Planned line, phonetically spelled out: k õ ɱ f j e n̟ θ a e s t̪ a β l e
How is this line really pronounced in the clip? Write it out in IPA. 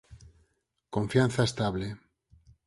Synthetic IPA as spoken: k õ ɱ f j a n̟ θ a e s t̪ a β l e

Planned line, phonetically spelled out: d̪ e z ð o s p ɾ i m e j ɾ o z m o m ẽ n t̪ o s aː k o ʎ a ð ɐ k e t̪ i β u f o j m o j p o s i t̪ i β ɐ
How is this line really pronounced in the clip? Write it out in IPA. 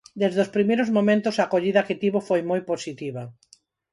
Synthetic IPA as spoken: d̪ e z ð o s p ɾ i m e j ɾ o z m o m ẽ n t̪ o s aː k o ʎ i ð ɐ k e t̪ i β o f o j m o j p o s i t̪ i β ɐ

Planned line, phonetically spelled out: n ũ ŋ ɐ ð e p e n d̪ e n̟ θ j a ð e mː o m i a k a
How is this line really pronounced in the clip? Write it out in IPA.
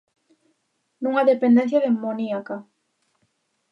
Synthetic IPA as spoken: n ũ ŋ a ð e p e n d̪ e n̟ θ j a ð e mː o n i a k a

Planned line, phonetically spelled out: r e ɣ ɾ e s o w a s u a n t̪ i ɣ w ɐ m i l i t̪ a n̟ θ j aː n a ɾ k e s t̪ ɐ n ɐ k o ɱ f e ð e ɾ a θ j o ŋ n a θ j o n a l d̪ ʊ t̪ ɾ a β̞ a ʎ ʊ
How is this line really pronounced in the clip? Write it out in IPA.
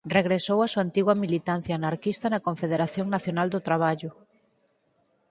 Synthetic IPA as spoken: r e ɣ ɾ e s o w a s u a n t̪ i ɣ w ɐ m i l i t̪ a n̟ θ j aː n a ɾ k i s t̪ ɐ n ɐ k o ɱ f e ð e ɾ a θ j o ŋ n a θ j o n a l d̪ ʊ t̪ ɾ a β̞ a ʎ ʊ

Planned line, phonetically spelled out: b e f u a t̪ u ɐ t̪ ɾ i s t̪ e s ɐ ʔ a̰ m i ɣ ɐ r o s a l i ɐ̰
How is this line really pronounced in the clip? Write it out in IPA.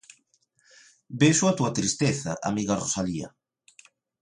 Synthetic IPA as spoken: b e ʃ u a t̪ u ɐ t̪ ɾ i s t̪ e θ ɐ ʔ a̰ m i ɣ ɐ r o s a l i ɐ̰

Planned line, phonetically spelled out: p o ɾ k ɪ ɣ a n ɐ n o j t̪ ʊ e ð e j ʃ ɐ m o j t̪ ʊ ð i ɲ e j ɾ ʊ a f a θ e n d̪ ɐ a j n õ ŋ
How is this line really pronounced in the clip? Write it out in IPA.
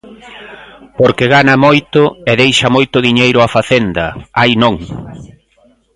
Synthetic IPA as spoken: p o ɾ k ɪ ɣ a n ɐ m o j t̪ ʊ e ð e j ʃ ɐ m o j t̪ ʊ ð i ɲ e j ɾ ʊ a f a θ e n d̪ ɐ a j n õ ŋ

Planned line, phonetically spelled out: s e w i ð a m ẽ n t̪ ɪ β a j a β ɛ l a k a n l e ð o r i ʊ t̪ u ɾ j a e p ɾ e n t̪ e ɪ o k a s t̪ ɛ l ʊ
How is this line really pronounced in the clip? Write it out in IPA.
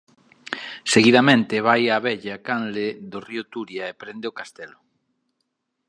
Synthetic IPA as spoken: s e ɣ i ð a m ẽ n t̪ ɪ β a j a β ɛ ʎ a k a n l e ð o r i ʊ t̪ u ɾ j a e p ɾ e n d̪ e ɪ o k a s t̪ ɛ l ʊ

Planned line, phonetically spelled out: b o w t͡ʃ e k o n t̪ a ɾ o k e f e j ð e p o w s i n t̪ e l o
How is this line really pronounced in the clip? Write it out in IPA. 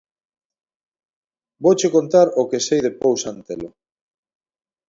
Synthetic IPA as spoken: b o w t͡ʃ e k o n t̪ a ɾ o k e s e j ð e p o w s a n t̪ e l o

